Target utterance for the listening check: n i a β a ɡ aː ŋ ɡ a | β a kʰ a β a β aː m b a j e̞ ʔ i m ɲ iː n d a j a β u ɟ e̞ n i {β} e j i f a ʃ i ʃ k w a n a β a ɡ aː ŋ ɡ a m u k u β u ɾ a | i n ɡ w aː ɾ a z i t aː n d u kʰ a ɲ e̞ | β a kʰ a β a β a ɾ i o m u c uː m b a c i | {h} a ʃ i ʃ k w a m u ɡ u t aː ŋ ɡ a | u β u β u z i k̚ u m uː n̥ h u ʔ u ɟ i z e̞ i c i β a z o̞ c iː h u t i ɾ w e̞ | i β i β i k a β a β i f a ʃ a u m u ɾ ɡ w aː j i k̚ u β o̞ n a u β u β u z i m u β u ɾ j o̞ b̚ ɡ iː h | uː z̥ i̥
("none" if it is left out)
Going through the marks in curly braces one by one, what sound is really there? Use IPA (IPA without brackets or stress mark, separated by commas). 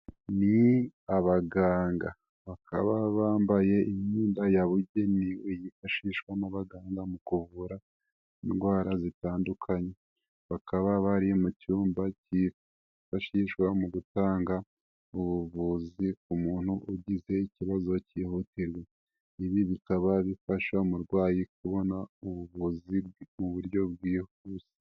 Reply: w, f